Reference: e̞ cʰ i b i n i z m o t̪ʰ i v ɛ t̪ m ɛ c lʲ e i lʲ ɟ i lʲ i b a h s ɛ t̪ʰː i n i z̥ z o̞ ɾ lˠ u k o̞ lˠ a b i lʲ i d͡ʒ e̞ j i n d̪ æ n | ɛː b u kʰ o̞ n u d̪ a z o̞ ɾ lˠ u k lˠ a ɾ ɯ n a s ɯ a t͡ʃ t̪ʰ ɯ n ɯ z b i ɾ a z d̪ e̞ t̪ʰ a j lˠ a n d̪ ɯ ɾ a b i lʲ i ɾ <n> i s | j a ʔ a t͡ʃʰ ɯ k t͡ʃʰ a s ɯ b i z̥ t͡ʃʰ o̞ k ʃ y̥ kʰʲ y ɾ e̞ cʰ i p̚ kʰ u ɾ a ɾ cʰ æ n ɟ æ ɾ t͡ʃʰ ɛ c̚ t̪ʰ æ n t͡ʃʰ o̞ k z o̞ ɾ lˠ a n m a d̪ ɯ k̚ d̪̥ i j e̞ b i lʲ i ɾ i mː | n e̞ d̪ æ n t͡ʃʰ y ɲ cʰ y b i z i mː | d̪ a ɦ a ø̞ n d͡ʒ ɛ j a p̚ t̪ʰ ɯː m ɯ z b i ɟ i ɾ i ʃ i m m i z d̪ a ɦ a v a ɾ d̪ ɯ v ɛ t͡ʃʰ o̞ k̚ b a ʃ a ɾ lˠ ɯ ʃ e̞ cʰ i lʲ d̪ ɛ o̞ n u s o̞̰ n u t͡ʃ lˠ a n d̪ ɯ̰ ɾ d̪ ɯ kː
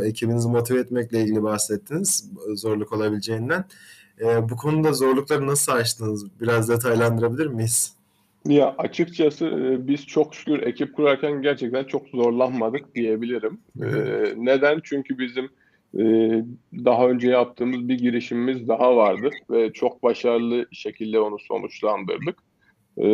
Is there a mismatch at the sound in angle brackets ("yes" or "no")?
yes